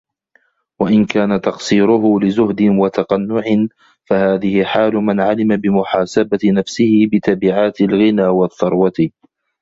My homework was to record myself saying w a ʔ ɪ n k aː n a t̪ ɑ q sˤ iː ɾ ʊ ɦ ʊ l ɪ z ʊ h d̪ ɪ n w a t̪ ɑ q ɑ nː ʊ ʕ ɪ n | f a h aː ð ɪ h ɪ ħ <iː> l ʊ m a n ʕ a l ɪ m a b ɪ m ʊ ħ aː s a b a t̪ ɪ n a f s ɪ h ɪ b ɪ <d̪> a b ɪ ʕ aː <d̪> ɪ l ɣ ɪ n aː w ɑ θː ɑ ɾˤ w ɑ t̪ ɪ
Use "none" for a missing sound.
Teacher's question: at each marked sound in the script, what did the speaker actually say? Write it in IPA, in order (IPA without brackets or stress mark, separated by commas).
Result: aː, t̪, t̪